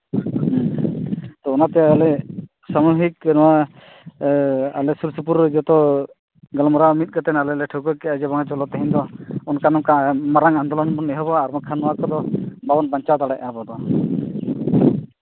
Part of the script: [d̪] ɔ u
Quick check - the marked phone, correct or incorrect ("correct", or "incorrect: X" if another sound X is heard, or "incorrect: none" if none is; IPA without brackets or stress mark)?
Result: incorrect: t̪